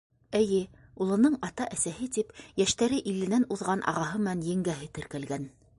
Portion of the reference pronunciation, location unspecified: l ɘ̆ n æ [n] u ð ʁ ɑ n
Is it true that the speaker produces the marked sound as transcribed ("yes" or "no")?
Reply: yes